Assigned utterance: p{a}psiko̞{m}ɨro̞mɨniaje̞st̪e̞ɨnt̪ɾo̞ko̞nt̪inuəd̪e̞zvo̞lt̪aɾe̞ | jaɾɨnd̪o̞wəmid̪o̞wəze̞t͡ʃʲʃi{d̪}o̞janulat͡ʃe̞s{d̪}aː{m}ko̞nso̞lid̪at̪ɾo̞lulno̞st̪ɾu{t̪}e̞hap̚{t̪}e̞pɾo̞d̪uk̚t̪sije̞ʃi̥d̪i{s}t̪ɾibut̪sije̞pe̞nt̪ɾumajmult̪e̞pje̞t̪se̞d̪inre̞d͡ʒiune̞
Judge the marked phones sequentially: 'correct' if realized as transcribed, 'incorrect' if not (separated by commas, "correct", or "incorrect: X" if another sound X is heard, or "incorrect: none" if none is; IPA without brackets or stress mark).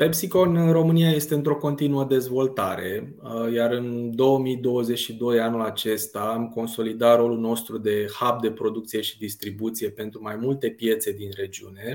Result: incorrect: e, incorrect: n, correct, incorrect: t̪, correct, incorrect: d̪, incorrect: d̪, correct